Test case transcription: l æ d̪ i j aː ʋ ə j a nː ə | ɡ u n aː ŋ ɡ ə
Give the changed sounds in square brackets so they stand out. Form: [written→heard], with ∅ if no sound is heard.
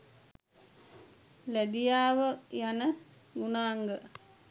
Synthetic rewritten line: l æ d̪ i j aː ʋ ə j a [nː→n] ə | ɡ u n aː ŋ ɡ ə